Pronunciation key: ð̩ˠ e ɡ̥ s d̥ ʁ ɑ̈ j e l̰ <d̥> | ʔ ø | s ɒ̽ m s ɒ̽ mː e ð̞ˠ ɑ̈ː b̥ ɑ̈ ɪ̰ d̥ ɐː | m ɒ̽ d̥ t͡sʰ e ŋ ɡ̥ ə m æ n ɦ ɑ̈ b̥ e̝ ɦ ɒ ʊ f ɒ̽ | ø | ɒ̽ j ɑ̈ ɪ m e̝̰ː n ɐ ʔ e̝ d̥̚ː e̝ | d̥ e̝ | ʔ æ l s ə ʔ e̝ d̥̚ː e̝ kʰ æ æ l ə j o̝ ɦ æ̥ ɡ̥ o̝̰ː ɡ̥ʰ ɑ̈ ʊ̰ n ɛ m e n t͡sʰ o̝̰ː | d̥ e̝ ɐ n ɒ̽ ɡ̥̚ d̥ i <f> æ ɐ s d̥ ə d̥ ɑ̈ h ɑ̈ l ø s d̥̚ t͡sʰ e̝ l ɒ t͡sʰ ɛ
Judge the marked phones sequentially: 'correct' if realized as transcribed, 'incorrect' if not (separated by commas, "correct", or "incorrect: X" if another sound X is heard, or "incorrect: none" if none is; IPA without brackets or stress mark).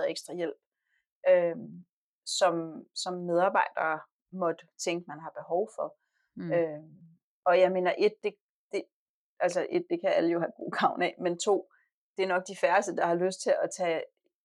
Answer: incorrect: b̥, correct